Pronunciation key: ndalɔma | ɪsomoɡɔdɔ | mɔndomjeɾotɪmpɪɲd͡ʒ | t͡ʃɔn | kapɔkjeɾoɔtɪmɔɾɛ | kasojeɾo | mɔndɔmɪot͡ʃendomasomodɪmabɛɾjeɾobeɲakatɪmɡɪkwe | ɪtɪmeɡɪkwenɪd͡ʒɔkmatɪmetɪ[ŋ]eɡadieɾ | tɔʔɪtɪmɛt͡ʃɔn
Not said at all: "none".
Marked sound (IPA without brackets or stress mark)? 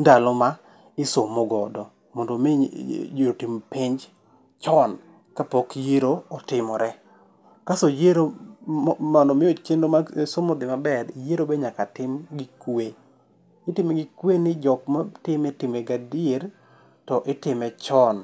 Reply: m